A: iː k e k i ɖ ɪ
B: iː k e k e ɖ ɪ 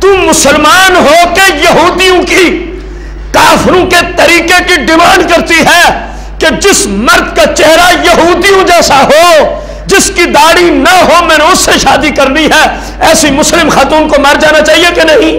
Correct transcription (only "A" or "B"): A